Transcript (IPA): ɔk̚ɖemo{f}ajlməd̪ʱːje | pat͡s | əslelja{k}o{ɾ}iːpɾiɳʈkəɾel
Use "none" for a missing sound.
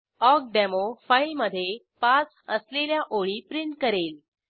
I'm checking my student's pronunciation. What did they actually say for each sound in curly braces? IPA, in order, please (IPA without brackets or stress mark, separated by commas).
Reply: f, ʔ, ɭ